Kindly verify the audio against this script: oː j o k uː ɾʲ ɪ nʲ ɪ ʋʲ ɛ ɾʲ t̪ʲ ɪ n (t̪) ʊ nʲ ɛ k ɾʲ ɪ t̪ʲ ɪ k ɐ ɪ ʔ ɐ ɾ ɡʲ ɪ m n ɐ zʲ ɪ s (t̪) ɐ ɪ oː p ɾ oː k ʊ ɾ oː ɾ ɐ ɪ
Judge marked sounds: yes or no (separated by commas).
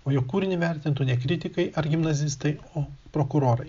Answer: yes, yes